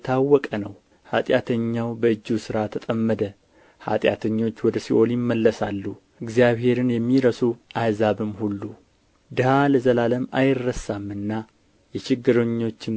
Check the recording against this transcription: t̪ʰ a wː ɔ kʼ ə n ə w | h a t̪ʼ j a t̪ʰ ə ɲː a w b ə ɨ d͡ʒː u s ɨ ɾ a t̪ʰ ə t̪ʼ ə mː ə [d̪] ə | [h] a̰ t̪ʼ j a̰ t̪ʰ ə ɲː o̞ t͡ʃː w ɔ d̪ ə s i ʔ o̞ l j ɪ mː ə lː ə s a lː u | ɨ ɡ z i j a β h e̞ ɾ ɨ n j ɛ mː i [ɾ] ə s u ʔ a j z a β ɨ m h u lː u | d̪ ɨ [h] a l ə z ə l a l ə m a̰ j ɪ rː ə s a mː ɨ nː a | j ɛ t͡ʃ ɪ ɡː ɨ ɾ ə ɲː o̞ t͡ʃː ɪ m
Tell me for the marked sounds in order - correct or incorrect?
correct, correct, correct, correct

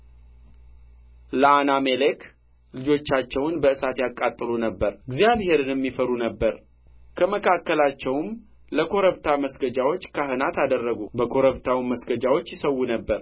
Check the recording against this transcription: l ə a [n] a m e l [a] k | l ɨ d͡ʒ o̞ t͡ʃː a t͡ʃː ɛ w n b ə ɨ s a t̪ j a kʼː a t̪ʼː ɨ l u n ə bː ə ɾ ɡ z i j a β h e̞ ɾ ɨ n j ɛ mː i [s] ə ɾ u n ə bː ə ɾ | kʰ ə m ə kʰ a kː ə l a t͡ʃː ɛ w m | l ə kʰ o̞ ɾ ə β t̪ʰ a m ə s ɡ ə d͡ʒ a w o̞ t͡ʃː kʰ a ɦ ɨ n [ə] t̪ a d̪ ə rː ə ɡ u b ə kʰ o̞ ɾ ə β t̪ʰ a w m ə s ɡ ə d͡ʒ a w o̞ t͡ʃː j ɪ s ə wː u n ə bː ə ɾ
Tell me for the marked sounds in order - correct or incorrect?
correct, incorrect: e, incorrect: f, incorrect: a

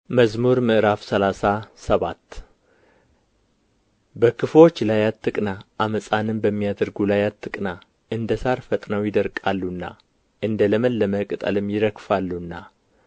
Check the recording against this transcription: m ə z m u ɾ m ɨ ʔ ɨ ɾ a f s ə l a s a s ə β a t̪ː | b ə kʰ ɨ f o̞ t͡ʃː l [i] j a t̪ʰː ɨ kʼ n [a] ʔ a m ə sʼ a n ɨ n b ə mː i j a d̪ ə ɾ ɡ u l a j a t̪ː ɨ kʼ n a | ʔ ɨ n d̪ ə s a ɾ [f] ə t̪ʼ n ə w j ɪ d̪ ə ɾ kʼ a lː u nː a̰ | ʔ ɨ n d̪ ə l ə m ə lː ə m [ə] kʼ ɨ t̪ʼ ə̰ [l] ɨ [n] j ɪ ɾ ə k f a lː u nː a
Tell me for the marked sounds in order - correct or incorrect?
incorrect: a, correct, correct, correct, correct, incorrect: m

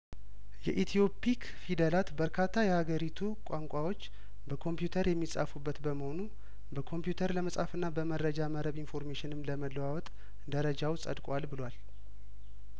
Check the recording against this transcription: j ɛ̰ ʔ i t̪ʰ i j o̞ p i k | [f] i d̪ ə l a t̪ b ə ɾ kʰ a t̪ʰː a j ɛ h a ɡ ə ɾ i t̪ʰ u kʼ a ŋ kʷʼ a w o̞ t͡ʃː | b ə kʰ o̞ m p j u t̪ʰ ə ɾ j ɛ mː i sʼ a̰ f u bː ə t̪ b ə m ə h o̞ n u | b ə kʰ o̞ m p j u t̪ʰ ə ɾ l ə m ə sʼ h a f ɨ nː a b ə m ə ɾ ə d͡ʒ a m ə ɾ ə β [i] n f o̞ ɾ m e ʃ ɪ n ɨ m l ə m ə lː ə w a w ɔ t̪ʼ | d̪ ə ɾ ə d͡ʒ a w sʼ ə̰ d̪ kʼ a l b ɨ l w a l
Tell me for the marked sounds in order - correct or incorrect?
correct, correct

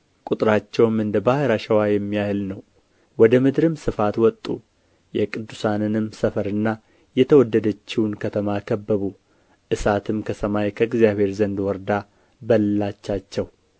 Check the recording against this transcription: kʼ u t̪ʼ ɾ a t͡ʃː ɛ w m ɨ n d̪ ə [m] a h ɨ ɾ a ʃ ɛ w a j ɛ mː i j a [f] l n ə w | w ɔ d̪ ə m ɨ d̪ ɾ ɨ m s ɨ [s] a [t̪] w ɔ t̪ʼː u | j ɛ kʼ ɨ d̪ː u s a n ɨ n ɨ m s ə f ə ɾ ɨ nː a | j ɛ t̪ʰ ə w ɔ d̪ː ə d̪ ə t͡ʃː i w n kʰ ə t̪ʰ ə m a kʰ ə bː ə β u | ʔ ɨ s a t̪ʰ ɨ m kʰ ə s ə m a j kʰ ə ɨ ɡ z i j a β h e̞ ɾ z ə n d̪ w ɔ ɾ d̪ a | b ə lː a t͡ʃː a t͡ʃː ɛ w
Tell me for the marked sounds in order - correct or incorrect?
incorrect: b, incorrect: h, incorrect: f, correct

